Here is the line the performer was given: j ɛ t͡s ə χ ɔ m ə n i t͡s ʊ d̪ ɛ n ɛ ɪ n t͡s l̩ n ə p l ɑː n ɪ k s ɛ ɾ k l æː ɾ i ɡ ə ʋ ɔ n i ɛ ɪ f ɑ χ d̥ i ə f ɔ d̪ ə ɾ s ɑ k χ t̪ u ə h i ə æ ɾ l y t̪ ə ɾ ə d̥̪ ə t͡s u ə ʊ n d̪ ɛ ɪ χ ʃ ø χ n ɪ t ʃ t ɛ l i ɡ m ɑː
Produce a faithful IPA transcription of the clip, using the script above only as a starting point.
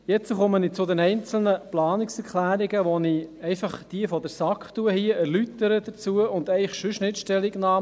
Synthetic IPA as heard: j ɛ t͡s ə χ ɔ m ə n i t͡s ʊ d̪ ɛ n ɛ ɪ n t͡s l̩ n ə p l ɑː n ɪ k s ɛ ɾ k l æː ɾ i ɡ ə ʋ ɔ n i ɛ ɪ f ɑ χ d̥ i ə f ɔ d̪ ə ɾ s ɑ k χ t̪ u ə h i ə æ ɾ l y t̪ ə ɾ ə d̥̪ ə t͡s u ə ʊ n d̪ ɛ ɪ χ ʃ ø ʃ n ɪ t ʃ t ɛ l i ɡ n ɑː